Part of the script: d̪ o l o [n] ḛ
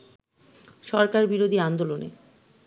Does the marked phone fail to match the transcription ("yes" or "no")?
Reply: no